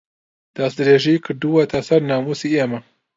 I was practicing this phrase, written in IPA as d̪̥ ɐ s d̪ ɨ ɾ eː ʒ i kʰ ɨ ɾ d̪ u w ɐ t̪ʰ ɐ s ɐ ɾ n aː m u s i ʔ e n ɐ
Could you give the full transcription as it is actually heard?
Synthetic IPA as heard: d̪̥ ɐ s d̪ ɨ ɾ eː ʒ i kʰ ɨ ɾ d̪ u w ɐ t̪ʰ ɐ s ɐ ɾ n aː m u s i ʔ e m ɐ